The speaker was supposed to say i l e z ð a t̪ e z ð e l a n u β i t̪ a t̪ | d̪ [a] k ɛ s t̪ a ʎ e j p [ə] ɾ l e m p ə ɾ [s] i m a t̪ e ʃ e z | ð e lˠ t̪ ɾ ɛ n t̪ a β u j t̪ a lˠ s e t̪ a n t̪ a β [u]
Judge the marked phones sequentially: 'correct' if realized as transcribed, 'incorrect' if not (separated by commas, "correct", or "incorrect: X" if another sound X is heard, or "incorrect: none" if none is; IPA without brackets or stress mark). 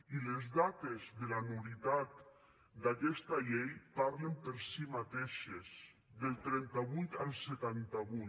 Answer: correct, incorrect: a, correct, correct